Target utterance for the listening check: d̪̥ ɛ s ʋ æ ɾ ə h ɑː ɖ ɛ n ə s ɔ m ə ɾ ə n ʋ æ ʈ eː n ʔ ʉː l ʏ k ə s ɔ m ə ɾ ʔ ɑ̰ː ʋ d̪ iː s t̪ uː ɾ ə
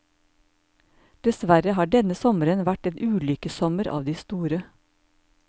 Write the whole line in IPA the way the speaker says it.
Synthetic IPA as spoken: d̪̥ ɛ s ʋ æ ɾ ə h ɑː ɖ ɛ n ə s ɔ m ə ɾ ə n ʋ æ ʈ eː n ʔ ʉː l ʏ k ə s ɔ m ə ɾ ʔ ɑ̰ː ʋ d̪ iː s t̪ uː ɾ ə